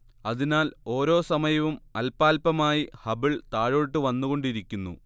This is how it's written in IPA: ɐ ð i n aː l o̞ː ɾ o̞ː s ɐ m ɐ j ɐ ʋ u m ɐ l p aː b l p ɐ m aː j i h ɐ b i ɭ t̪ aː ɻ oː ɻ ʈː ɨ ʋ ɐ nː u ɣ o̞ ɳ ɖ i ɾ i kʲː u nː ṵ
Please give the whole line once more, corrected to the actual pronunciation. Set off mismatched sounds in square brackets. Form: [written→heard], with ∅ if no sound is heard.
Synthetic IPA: ɐ ð i n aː l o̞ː ɾ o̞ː s ɐ m ɐ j ɐ ʋ u m ɐ l p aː [b→∅] l p ɐ m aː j i h ɐ b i ɭ t̪ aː ɻ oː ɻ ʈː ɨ ʋ ɐ nː u ɣ o̞ ɳ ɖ i ɾ i kʲː u nː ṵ

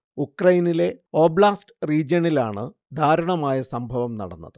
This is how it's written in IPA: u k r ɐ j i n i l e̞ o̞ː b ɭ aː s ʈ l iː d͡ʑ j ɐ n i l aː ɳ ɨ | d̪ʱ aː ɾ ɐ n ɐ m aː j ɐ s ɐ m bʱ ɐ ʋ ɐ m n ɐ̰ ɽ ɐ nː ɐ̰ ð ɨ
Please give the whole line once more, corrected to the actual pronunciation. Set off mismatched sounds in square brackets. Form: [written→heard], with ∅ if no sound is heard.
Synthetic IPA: u k r ɐ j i n i l e̞ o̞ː b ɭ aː s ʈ [l→r] iː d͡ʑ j ɐ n i l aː ɳ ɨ | d̪ʱ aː ɾ ɐ [n→ɳ] ɐ m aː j ɐ s ɐ m bʱ ɐ ʋ ɐ m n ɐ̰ ɽ ɐ nː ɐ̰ ð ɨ

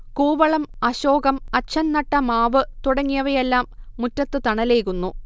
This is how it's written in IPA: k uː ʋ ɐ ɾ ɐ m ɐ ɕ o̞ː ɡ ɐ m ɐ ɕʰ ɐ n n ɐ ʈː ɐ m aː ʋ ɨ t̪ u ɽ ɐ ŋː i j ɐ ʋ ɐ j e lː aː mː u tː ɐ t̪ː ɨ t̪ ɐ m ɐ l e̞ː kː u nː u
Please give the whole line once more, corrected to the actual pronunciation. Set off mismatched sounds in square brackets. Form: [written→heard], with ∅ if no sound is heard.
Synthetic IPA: k uː ʋ ɐ [ɾ→ɭ] ɐ m ɐ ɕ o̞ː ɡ ɐ m ɐ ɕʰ ɐ n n ɐ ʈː ɐ m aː ʋ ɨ t̪ u ɽ ɐ ŋː i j ɐ ʋ ɐ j e lː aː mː u tː ɐ t̪ː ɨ t̪ ɐ [m→ɳ] ɐ l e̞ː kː u nː u

